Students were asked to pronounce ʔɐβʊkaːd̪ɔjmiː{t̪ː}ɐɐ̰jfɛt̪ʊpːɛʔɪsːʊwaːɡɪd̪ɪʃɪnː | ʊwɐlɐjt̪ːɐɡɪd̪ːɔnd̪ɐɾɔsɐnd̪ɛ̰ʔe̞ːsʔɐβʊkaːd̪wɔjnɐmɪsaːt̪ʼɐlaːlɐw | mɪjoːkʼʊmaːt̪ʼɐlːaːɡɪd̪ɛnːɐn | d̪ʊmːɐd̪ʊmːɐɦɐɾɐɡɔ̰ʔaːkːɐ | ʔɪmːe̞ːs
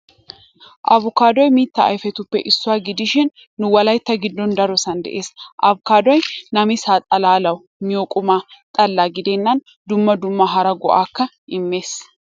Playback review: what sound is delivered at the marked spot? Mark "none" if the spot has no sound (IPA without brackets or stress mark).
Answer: t̪ː